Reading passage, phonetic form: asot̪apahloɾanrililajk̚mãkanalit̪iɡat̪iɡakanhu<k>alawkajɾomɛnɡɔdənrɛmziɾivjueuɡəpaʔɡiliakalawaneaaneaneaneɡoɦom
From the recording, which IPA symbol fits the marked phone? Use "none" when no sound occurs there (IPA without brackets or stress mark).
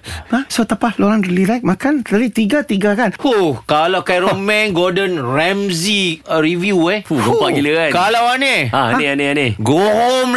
k